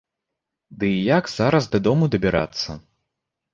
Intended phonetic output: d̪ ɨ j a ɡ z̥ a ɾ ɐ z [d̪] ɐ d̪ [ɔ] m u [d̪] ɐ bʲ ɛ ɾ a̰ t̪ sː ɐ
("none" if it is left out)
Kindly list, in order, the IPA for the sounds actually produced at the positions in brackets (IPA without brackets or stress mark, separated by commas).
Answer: d̪, ɔ, d̪